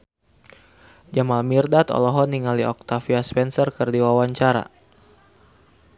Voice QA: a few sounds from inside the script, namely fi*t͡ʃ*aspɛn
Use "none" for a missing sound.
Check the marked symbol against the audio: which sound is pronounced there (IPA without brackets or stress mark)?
none